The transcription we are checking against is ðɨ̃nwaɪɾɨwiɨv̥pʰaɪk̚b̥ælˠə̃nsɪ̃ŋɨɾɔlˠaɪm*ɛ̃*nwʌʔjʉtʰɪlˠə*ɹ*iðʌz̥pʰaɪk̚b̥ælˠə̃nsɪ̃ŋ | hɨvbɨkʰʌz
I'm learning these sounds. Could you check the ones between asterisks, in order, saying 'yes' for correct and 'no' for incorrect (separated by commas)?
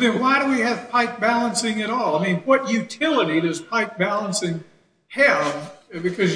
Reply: no, no